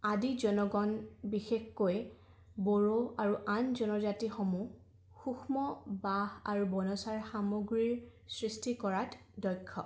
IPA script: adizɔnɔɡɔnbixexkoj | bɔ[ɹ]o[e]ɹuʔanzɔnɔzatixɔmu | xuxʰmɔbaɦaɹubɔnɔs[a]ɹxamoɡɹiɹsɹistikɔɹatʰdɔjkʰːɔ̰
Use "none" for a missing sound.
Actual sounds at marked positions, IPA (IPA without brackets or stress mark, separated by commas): ɹ, a, a